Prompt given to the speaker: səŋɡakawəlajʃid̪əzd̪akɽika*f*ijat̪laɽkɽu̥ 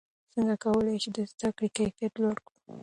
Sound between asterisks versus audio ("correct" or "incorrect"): correct